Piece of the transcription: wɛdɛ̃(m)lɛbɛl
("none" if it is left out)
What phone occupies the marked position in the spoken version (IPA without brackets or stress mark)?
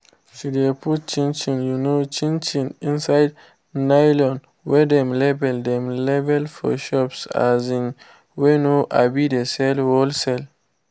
m